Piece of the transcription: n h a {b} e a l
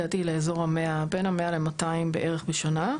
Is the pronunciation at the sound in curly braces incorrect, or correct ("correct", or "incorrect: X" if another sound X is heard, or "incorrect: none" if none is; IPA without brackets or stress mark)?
incorrect: m